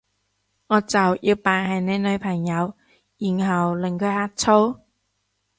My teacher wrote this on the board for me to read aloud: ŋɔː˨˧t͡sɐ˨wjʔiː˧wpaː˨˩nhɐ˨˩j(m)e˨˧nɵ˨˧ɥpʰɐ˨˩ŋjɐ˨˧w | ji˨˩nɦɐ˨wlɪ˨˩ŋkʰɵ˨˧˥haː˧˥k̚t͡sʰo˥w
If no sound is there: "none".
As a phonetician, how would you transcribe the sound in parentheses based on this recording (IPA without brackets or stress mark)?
n